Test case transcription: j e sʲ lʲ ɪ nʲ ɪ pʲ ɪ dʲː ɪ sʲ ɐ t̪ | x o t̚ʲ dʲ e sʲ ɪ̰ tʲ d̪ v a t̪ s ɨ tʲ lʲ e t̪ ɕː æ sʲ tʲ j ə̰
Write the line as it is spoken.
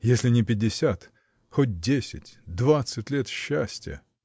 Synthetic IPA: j e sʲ lʲ ɪ nʲ ɪ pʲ ɪ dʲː ɪ sʲ a t̪ | x o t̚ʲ dʲ e sʲ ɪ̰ tʲ d̪ v a t̪ s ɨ tʲ lʲ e t̪ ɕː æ sʲ tʲ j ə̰